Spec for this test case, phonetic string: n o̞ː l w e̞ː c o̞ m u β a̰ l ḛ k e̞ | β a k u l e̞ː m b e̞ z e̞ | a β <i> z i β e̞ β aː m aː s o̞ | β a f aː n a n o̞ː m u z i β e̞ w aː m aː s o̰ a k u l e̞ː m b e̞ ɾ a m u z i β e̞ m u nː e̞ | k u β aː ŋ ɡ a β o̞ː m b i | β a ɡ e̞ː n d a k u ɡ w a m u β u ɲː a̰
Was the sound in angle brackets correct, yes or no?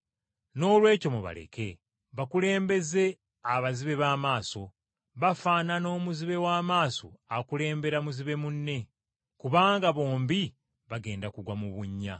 no